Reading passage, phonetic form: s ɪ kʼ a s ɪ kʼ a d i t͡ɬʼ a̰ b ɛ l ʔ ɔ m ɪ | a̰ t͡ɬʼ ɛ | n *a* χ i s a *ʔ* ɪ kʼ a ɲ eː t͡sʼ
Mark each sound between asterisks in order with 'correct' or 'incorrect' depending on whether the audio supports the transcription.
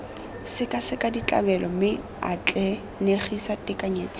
incorrect: e, incorrect: t

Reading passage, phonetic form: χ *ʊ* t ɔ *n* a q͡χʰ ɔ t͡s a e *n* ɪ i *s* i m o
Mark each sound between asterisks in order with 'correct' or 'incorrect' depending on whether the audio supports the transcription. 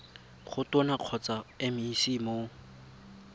correct, correct, incorrect: m, correct

